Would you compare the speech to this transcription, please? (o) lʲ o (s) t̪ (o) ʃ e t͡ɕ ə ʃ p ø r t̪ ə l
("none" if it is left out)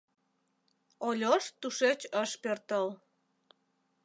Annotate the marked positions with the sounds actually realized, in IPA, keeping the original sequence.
o, ʃ, u

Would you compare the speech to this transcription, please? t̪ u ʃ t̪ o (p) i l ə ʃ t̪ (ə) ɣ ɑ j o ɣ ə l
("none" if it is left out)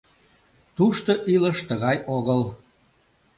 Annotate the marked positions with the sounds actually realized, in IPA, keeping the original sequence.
ʔ, ə

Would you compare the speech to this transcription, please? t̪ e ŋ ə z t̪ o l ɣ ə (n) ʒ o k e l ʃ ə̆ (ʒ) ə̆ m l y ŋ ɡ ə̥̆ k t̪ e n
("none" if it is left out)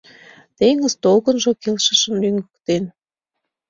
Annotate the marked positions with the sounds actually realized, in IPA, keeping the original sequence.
n, ʃ

